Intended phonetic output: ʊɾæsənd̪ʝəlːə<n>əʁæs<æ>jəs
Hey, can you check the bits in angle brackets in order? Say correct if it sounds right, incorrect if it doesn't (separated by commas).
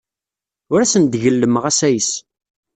incorrect, correct